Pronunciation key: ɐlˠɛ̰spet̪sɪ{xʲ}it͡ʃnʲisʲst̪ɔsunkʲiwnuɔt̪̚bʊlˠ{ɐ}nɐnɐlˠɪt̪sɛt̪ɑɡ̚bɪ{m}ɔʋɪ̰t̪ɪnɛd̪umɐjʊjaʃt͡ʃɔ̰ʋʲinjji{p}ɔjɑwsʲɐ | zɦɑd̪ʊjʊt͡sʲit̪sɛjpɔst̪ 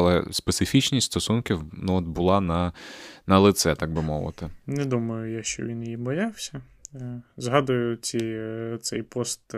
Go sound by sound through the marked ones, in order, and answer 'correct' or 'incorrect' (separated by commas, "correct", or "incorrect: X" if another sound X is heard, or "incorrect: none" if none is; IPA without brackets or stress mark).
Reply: incorrect: fʲ, incorrect: ɑ, correct, incorrect: b